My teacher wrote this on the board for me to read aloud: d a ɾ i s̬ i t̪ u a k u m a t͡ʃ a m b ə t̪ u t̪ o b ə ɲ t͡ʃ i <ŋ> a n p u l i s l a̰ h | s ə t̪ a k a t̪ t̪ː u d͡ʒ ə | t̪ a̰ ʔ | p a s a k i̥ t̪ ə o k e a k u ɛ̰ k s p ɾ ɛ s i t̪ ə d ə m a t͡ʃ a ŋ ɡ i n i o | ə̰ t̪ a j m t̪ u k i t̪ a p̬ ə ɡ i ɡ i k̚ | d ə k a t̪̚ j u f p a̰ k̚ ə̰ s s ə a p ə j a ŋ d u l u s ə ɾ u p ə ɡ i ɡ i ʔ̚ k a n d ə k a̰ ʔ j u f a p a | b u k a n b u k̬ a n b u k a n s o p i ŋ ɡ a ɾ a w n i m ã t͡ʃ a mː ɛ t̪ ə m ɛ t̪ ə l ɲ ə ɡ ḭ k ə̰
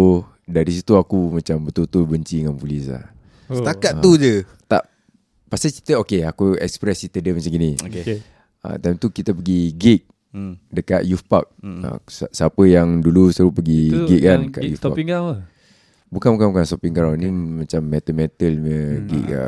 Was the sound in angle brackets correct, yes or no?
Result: yes